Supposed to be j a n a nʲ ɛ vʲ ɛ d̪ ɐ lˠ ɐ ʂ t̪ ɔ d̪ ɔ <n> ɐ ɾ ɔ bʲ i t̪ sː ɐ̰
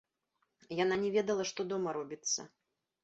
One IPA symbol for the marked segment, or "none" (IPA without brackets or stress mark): m